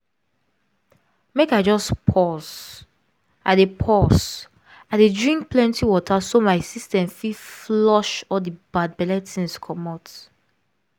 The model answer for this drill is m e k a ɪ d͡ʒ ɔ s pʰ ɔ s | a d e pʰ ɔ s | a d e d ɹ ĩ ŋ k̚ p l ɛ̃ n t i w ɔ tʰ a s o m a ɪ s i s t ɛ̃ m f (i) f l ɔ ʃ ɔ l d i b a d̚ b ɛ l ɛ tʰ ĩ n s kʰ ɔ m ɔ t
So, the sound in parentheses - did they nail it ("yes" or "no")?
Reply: yes